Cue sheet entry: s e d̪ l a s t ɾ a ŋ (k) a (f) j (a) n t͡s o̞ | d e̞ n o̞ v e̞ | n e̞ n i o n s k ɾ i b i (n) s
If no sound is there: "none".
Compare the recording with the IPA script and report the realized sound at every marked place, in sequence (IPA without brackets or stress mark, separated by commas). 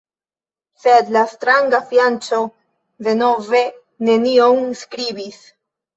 ɡ, f, a, none